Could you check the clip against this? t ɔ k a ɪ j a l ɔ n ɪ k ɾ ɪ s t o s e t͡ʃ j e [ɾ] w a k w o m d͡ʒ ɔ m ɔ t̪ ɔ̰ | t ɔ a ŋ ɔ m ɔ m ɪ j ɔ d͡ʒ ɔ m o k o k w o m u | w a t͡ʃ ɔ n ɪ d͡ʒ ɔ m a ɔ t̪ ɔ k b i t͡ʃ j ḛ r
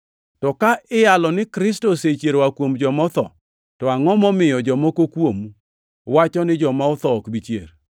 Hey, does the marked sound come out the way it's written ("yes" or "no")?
yes